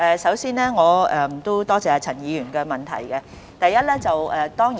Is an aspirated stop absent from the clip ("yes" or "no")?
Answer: no